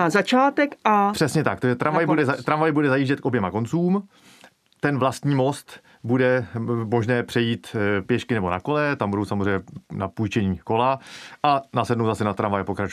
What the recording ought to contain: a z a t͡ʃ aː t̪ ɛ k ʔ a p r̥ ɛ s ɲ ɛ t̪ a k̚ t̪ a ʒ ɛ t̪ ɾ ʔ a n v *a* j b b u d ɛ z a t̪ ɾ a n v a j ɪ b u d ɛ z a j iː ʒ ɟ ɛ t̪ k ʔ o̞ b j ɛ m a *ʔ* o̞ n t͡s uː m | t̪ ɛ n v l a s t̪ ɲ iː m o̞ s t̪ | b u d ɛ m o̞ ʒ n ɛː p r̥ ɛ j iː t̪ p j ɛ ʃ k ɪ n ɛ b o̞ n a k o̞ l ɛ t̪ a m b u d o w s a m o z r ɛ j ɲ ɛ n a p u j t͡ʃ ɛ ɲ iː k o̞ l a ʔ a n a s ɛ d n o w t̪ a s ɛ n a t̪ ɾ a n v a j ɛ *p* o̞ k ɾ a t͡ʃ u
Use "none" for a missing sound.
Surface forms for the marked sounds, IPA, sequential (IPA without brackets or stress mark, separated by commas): a, k, p